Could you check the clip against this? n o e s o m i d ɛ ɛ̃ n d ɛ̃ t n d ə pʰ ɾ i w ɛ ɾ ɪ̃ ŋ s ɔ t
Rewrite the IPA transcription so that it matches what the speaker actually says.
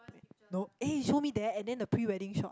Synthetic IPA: n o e ʃ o m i d ɛ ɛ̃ n d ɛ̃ n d ə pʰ ɹ i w ɛ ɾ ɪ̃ ŋ ʃ ɔ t